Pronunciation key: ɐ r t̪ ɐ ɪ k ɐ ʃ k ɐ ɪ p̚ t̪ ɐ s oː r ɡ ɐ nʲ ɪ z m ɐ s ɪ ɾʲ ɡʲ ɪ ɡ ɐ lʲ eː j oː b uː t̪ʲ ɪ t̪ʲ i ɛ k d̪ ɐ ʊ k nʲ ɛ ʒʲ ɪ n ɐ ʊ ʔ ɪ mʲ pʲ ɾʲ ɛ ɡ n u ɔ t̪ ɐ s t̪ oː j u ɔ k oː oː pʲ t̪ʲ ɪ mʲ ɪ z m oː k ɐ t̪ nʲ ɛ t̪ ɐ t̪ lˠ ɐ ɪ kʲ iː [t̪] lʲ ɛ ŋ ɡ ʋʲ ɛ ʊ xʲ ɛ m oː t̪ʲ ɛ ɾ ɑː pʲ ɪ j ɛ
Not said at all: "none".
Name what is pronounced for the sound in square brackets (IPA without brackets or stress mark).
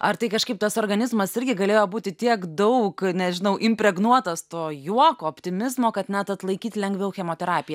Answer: t̪